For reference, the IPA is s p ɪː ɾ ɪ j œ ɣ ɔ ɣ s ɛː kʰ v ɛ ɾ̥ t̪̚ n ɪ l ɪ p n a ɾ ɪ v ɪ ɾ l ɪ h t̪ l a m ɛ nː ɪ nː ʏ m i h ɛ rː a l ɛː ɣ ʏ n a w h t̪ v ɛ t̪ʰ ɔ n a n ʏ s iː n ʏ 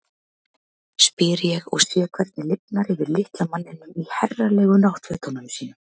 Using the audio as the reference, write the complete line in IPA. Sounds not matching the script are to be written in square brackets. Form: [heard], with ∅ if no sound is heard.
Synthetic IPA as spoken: s p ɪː ɾ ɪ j [ɛ] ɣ ɔ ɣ s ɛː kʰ v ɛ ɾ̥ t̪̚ n ɪ l ɪ p n a ɾ ɪ v ɪ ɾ l ɪ h t̪ l a m [a] nː ɪ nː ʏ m i h ɛ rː a l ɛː ɣ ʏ n a w h t̪ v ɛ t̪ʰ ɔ n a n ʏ s iː n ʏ